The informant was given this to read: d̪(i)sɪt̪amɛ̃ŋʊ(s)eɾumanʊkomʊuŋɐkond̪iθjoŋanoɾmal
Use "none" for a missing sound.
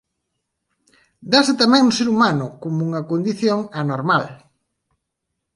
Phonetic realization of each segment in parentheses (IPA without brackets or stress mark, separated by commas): a, s